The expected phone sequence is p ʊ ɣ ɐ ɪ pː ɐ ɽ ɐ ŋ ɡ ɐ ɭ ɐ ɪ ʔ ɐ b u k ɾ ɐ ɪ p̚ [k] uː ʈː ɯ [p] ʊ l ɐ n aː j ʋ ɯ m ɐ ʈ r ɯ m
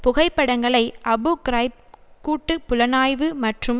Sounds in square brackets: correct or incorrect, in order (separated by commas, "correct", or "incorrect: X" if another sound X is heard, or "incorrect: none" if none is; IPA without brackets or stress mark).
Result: correct, correct